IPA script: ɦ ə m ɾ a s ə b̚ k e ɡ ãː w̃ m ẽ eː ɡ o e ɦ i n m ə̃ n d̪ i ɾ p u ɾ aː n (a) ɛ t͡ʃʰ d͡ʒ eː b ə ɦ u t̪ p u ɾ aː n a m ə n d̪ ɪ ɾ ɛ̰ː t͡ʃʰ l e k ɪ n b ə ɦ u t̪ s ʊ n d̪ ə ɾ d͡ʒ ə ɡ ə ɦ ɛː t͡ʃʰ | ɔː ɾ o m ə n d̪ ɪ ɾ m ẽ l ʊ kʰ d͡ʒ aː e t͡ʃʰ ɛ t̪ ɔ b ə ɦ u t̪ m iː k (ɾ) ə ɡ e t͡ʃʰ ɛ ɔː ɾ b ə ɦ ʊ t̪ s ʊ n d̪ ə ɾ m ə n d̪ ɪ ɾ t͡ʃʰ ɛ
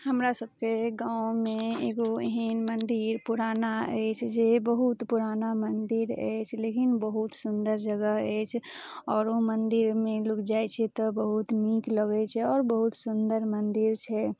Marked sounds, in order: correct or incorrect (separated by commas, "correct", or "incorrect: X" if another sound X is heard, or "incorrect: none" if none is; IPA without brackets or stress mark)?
correct, incorrect: l